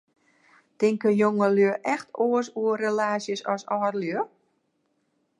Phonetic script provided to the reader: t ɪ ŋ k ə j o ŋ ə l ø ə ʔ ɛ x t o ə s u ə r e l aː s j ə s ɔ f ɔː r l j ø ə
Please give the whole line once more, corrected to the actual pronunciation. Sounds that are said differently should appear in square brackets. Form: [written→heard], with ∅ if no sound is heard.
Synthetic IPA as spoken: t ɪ ŋ k ə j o ŋ ə l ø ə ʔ ɛ x t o ə s u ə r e l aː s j ə s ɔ [f→s] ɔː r l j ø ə